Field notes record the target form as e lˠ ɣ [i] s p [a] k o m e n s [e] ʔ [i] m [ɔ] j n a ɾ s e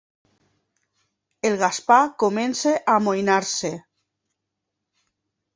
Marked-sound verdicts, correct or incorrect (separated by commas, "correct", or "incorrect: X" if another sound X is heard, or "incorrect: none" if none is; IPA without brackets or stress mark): incorrect: a, correct, correct, incorrect: a, incorrect: o